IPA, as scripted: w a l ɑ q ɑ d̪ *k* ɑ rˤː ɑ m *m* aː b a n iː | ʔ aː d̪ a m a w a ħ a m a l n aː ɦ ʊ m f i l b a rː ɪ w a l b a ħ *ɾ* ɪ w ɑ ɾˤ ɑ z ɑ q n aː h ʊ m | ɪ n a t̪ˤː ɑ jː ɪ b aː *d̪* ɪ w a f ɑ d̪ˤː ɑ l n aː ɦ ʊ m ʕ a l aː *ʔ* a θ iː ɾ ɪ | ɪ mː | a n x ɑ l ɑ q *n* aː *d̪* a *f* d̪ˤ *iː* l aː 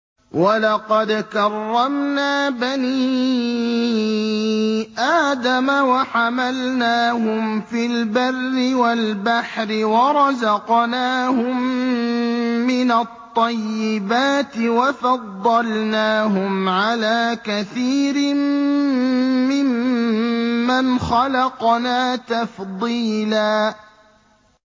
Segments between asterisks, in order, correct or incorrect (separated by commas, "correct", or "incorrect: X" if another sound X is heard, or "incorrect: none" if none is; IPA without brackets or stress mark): correct, incorrect: n, correct, incorrect: t̪, incorrect: k, correct, incorrect: t̪, correct, correct